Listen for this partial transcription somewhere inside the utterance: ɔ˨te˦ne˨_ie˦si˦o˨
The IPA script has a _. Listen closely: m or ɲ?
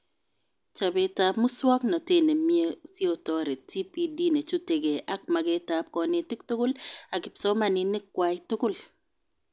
m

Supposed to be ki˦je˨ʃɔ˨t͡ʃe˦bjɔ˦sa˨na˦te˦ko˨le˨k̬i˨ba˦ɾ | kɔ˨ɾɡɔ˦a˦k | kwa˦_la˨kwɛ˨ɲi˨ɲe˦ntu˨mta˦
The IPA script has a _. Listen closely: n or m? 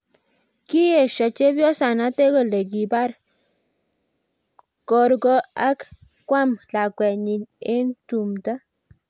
m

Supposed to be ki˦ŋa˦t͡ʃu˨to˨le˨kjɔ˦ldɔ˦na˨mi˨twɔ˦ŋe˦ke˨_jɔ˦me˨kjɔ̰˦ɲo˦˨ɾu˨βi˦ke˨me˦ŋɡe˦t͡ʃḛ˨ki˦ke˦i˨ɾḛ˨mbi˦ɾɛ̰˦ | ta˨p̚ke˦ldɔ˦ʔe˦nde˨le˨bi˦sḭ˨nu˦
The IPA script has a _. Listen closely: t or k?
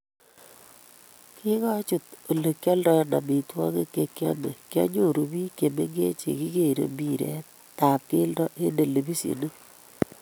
k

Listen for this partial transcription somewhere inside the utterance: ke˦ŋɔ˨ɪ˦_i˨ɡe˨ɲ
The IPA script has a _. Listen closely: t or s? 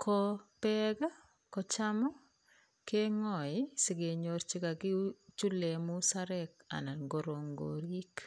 s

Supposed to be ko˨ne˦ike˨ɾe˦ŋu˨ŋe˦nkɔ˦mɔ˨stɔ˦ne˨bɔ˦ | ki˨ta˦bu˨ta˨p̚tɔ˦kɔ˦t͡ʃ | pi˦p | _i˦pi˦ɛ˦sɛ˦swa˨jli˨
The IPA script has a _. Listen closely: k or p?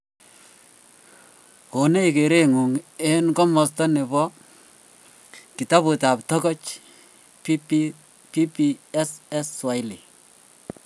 p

